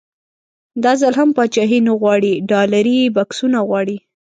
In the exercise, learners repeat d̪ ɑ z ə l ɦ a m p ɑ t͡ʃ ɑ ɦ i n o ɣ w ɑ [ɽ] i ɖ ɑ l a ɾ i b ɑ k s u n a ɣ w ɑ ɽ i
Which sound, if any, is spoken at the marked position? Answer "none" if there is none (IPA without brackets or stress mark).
ɽ